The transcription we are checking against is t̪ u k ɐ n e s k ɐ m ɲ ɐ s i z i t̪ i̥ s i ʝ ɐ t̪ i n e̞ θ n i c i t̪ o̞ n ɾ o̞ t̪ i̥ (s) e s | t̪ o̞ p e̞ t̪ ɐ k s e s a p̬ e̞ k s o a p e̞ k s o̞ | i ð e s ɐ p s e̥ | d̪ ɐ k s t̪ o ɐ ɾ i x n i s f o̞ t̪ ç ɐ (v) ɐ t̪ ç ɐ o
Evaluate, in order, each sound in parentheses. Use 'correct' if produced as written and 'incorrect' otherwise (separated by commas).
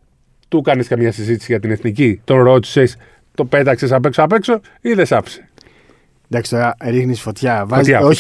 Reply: correct, correct